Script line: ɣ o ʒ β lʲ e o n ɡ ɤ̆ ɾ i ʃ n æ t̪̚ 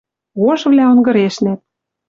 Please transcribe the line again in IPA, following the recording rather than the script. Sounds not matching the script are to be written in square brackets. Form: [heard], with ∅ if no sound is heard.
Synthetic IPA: ɣ o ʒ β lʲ [æ] o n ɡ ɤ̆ ɾ [e] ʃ n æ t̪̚